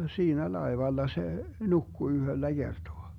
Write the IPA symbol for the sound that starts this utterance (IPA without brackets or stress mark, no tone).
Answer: s